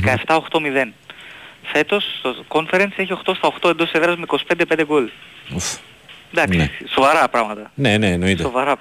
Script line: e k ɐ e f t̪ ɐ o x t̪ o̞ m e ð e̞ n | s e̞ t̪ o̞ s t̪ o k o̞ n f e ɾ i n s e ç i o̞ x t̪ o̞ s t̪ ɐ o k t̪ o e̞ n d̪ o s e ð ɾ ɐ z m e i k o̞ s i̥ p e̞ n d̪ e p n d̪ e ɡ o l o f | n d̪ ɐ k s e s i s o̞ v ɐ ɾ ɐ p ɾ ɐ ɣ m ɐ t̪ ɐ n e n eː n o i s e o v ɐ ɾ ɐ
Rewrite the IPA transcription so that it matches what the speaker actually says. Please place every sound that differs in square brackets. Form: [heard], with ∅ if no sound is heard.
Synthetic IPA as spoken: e k ɐ e f t̪ ɐ o x t̪ o̞ m [i] ð e̞ n | [f] e̞ t̪ o̞ s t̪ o k o̞ n f e ɾ [e] n s e ç i o̞ x t̪ o̞ s t̪ ɐ o [x] t̪ o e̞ n d̪ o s e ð ɾ ɐ z m e i k o̞ s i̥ p e̞ n d̪ e p n d̪ e ɡ o l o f | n d̪ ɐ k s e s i s o̞ v ɐ ɾ ɐ p ɾ ɐ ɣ m ɐ t̪ ɐ n e n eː n o i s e o v ɐ ɾ ɐ